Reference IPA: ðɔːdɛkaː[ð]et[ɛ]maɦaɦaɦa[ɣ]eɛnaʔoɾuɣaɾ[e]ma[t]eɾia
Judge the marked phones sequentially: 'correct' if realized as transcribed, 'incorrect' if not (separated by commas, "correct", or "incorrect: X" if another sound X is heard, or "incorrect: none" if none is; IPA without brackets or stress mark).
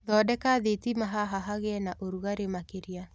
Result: correct, incorrect: i, correct, correct, incorrect: k